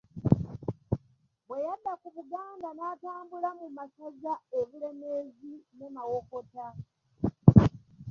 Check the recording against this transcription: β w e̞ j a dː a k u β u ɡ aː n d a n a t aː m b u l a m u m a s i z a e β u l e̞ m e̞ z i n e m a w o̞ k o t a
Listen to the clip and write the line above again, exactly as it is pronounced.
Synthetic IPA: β w e̞ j a dː a k u β u ɡ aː n d a n a t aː m b u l a m u m a s a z a e β u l e̞ m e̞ z i n e m a w o̞ k o t a